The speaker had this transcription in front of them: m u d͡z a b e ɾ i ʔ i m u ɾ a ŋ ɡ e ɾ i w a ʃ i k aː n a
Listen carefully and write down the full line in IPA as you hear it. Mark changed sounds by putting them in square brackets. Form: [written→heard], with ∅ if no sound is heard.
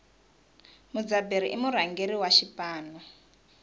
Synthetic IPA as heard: m u d͡z a b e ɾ i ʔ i m u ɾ a ŋ ɡ e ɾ i w a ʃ i [k→p] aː n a